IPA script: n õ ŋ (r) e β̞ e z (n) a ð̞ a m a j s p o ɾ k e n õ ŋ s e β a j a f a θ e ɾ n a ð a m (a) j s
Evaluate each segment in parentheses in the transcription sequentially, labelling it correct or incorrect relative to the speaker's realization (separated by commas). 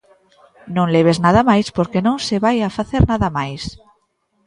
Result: incorrect, correct, correct